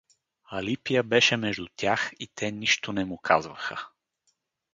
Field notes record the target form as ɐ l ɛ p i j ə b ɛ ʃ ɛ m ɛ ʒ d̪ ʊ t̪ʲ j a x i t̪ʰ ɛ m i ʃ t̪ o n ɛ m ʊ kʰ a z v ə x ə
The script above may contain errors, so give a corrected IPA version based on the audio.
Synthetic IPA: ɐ l i p i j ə b ɛ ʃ ɛ m ɛ ʒ d̪ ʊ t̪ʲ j a x i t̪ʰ ɛ n i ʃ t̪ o n ɛ m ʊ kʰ a z v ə x ə